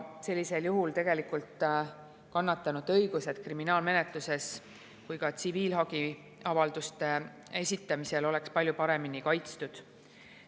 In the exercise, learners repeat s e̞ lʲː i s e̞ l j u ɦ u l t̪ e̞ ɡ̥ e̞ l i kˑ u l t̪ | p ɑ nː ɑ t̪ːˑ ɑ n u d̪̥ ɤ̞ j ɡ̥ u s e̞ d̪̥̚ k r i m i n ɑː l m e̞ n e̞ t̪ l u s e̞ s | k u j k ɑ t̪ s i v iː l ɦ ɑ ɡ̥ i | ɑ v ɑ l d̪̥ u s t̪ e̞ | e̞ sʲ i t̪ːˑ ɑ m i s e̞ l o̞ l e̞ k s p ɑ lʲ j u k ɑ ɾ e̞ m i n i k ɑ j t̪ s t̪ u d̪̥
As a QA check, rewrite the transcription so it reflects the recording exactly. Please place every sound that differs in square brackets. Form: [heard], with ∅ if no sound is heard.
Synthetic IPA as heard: s e̞ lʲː i s e̞ l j u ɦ u l t̪ e̞ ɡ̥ e̞ l i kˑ u l t̪ | [k] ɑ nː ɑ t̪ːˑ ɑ n u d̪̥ ɤ̞ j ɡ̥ u s e̞ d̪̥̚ k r i m i n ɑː l m e̞ n e̞ t̪ l u s e̞ s | k u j k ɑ t̪ s i v iː l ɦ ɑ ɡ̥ i | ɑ v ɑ l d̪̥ u s t̪ e̞ | e̞ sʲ i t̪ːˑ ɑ m i s e̞ l o̞ l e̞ k s p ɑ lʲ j u [p] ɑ ɾ e̞ m i n i k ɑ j t̪ s t̪ u d̪̥